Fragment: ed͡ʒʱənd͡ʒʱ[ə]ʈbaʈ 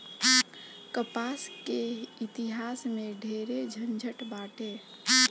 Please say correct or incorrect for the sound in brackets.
correct